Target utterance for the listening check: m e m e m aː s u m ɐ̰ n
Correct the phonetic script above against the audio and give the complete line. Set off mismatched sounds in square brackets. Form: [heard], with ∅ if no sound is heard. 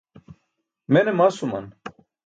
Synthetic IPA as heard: m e [n] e m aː s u m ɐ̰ n

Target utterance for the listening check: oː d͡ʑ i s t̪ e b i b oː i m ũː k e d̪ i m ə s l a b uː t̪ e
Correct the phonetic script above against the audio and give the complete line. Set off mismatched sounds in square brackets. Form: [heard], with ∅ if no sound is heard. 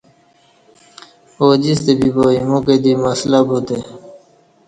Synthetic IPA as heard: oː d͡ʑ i s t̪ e b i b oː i m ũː k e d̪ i m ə s l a b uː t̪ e

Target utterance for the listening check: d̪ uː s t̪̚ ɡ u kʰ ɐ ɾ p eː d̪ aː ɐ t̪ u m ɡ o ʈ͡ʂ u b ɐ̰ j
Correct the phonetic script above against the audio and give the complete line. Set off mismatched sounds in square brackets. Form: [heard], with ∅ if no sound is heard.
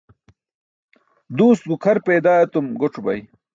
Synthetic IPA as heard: d̪ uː s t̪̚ ɡ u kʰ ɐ ɾ p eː d̪ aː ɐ t̪ u m ɡ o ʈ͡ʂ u b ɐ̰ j

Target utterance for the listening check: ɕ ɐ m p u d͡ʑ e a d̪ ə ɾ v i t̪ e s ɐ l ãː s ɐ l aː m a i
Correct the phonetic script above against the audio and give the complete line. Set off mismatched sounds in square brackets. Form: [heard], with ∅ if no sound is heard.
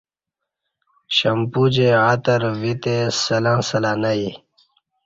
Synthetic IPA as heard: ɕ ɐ m p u d͡ʑ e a [t̪] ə ɾ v i t̪ e s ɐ l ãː s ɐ l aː [n] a i

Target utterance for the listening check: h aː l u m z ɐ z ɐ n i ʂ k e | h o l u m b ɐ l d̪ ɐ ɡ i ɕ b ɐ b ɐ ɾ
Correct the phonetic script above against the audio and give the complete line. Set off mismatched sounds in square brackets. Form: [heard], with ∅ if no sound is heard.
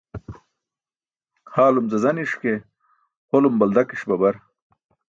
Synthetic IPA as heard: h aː l u m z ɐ z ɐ n i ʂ k e | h o l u m b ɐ l d̪ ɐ [k] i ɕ b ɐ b ɐ ɾ

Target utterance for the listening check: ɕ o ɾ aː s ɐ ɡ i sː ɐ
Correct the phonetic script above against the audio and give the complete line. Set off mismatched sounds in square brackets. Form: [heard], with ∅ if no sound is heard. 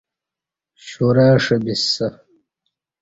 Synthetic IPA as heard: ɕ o ɾ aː [ʂ] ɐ [b] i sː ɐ

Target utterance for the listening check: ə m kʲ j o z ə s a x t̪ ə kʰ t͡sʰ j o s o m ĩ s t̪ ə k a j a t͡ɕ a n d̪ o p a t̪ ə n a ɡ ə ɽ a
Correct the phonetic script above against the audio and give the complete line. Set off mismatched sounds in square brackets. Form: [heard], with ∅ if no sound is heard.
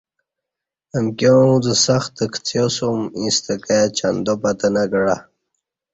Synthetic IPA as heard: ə m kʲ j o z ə s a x t̪ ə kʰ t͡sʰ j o s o m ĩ s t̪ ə k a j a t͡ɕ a n d̪ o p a t̪ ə n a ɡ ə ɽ a

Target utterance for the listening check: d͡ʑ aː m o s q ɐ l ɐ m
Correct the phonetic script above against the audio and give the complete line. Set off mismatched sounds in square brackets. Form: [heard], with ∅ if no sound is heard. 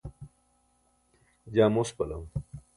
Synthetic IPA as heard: d͡ʑ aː m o s [p] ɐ l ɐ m

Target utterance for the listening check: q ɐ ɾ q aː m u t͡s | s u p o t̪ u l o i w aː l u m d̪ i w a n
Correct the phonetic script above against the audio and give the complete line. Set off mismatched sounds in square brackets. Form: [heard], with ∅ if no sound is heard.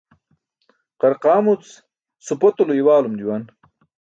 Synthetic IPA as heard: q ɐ ɾ q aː m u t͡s | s u p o t̪ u l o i w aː l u m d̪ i w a n

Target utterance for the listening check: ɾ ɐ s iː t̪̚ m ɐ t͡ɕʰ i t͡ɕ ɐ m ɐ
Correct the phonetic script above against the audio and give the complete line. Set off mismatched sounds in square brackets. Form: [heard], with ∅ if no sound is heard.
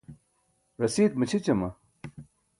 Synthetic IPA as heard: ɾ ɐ s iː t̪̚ m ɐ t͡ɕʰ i t͡ɕ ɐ m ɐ

